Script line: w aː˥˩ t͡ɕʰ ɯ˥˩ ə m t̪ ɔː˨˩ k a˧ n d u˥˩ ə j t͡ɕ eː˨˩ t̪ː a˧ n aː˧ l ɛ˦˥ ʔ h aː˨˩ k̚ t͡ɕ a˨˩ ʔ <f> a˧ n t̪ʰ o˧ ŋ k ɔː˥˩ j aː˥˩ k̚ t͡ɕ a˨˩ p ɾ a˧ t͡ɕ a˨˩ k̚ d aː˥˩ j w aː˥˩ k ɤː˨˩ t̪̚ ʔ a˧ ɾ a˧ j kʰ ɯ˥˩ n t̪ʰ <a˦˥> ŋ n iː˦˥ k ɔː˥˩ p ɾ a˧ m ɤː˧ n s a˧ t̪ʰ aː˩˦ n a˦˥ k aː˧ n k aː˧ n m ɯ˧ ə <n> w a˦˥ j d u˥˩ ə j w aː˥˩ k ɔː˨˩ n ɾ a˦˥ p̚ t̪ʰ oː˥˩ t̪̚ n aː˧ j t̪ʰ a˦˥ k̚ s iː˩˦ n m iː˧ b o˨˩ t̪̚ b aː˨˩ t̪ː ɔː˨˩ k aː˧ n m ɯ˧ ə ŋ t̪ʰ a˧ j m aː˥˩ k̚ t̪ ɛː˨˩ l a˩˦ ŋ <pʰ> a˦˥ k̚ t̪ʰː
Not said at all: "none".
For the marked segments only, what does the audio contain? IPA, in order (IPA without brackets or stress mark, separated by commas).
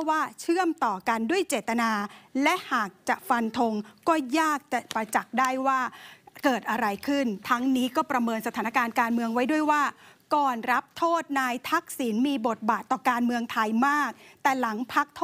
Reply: f, a˦˥, ŋ, pʰ